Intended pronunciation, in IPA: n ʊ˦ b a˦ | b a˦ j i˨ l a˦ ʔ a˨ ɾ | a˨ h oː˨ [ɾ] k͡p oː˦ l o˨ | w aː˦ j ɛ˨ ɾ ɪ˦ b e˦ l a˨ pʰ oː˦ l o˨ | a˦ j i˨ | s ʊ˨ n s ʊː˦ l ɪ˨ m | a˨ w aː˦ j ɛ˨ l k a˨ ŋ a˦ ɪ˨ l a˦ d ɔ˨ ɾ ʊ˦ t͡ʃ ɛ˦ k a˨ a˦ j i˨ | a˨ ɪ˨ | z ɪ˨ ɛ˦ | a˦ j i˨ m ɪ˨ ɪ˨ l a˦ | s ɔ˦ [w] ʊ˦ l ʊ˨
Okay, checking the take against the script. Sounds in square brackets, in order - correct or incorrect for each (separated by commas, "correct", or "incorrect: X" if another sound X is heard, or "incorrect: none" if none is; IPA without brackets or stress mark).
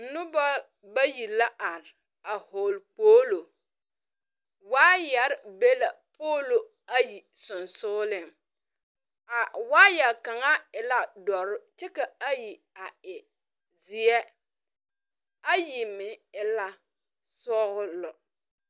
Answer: incorrect: l, incorrect: ɣ